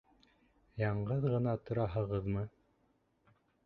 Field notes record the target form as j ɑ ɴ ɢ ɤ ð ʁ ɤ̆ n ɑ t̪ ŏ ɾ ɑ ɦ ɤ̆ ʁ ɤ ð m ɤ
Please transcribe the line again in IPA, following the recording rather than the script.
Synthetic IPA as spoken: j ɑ ɴ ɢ ɤ ð ʁ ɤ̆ n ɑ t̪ ŏ ɾ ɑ ɦ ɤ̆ ʁ ɤ ð m ɤ